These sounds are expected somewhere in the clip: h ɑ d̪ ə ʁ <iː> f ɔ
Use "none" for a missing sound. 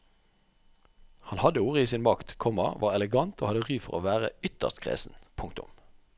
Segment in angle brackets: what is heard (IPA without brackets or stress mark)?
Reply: yː